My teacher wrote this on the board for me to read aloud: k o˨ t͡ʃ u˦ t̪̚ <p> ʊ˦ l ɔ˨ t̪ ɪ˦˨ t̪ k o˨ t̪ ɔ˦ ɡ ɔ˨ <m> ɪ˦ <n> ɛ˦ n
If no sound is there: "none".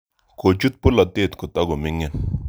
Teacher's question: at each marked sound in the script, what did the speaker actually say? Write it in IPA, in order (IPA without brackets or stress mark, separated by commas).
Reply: p, m, ŋ